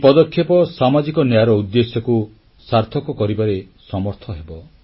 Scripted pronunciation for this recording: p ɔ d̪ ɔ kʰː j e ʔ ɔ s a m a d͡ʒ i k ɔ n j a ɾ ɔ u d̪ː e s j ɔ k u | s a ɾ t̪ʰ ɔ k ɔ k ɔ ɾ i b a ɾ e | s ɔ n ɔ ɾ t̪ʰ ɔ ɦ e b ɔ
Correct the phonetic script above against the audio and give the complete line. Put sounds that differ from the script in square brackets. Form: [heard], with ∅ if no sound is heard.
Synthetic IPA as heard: p ɔ d̪ ɔ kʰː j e [p] ɔ s a m a d͡ʒ i k ɔ n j a ɾ ɔ u d̪ː e s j ɔ k u | s a ɾ t̪ʰ ɔ k ɔ k ɔ ɾ i b a ɾ e | s ɔ [m] ɔ ɾ t̪ʰ ɔ ɦ e b ɔ

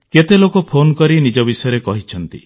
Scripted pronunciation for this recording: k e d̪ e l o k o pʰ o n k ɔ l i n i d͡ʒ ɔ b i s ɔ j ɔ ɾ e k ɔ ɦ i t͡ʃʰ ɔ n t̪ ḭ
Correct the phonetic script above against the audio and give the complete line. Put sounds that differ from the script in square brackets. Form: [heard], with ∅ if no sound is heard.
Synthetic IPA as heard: k e [t̪] e l o k o pʰ o n k ɔ [ɾ] i n i d͡ʒ ɔ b i s ɔ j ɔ ɾ e k ɔ ɦ i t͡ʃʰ ɔ n t̪ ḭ

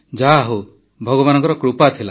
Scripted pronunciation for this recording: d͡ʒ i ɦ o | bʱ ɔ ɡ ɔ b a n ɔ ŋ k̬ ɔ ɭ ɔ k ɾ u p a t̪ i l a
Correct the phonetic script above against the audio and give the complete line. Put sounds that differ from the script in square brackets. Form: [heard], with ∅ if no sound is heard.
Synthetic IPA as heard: d͡ʒ [a] ɦ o | bʱ ɔ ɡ ɔ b a n ɔ ŋ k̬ ɔ [ɾ] ɔ k ɾ u p a [t̪ʰ] i l a

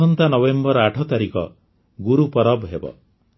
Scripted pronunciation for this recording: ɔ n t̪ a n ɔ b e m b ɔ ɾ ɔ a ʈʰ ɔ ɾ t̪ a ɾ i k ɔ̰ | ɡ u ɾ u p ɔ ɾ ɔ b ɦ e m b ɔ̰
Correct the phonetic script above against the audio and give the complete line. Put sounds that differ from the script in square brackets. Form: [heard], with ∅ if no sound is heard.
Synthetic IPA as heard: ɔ n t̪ a n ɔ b e m b ɔ ɾ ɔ a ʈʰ ɔ [∅] t̪ a ɾ i k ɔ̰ | ɡ u ɾ u p ɔ ɾ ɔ b ɦ e [∅] b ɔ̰

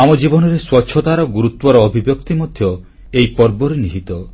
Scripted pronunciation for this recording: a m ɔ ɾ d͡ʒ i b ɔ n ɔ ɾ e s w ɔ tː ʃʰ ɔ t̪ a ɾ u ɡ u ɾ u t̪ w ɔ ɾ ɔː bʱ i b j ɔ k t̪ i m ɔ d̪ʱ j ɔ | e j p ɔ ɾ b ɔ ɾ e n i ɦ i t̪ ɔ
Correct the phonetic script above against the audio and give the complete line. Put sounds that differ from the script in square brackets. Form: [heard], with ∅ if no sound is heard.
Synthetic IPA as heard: a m ɔ [∅] d͡ʒ i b ɔ n ɔ ɾ e s w ɔ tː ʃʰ ɔ t̪ a ɾ [ɔ] ɡ u ɾ u t̪ w ɔ ɾ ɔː bʱ i b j ɔ k t̪ i m ɔ d̪ʱ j ɔ | e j p ɔ ɾ b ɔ ɾ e n i ɦ i t̪ ɔ

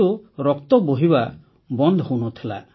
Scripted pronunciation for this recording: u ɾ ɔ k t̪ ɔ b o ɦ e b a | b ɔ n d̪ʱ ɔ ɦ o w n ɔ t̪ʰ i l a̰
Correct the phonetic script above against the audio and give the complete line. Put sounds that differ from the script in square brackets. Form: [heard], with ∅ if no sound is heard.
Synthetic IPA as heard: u ɾ ɔ k t̪ ɔ b o ɦ [i] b a | b ɔ n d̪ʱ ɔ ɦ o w n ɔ t̪ʰ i l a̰

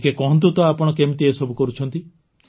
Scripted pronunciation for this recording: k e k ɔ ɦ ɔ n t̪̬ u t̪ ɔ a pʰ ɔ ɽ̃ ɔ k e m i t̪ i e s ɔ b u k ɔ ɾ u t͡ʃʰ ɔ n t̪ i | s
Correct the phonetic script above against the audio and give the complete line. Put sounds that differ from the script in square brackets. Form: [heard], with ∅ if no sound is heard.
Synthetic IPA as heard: k e k ɔ ɦ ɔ n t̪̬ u t̪ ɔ a [p] ɔ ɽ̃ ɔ k e m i t̪ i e s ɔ b u k ɔ ɾ u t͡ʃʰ ɔ n t̪ i | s

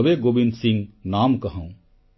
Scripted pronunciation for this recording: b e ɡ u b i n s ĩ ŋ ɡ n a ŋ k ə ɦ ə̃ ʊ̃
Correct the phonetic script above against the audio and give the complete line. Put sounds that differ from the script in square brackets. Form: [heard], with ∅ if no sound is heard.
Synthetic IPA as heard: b e ɡ [o] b i n s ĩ ŋ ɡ n a [m] k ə ɦ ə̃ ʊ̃

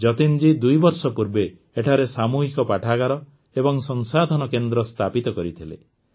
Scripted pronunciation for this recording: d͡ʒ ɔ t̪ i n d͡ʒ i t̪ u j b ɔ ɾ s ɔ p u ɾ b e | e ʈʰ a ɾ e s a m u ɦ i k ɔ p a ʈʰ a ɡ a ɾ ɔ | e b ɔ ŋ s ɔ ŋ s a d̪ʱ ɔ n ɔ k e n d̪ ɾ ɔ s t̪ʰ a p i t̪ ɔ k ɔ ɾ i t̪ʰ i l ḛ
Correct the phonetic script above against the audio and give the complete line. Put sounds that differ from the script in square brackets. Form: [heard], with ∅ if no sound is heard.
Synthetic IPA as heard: d͡ʒ ɔ t̪ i n d͡ʒ i [d̪] u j b ɔ ɾ s ɔ p u ɾ b e | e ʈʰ a ɾ e s a m u ɦ i k ɔ p a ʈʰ a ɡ a ɾ ɔ | e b ɔ ŋ s ɔ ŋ s a d̪ʱ ɔ n ɔ k e n d̪ ɾ ɔ s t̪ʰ a p i t̪ ɔ k ɔ ɾ i t̪ʰ i l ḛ

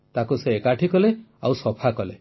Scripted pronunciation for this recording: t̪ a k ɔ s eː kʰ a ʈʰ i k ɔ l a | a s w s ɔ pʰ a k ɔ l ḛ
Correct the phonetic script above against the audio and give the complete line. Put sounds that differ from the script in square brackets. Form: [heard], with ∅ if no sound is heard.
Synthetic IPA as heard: t̪ a k [u] s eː [k] a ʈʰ i k ɔ l [e] | a [∅] w s ɔ pʰ a k ɔ l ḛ

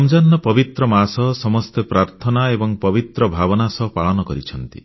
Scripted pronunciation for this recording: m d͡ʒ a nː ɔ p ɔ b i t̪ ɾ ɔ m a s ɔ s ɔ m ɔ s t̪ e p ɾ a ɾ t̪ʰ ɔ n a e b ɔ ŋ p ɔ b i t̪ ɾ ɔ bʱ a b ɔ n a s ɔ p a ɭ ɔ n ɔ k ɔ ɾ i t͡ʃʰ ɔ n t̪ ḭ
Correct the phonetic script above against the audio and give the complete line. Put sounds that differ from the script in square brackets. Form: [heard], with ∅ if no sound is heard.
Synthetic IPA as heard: m d͡ʒ a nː ɔ p ɔ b i t̪ ɾ ɔ m a s ɔ s ɔ m ɔ s t̪ e p ɾ a ɾ t̪ʰ ɔ n a e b ɔ ŋ p ɔ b i t̪ ɾ ɔ bʱ a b ɔ n a s ɔ p a ɭ ɔ n ɔ k ɔ ɾ i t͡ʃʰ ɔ n t̪ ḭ

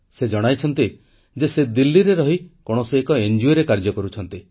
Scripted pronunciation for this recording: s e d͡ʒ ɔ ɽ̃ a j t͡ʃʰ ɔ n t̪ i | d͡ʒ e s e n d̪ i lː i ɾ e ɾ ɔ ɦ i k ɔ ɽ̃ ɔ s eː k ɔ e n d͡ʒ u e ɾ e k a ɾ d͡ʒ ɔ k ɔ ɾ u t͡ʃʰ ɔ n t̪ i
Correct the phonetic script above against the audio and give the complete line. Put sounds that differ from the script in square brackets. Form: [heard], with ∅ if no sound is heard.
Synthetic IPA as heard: s e d͡ʒ ɔ ɽ̃ a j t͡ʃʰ ɔ n t̪ i | d͡ʒ e s e [∅] d̪ i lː i ɾ e ɾ ɔ ɦ i k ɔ ɽ̃ ɔ s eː k ɔ e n d͡ʒ u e ɾ e k a ɾ d͡ʒ ɔ k ɔ ɾ u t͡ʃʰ ɔ n t̪ i

